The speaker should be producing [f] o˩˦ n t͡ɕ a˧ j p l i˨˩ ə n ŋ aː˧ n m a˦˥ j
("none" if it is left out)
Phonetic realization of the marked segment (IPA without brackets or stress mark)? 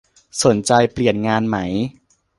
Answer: s